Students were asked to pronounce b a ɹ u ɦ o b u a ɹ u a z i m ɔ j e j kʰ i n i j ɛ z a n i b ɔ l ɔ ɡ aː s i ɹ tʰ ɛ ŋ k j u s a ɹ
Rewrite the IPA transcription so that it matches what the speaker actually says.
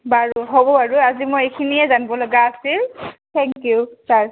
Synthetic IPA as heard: b a ɹ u ɦ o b ɔ a ɹ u a z i m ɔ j e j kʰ i n i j ɛ z a n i b ɔ l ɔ ɡ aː s i l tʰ ɛ ŋ k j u s a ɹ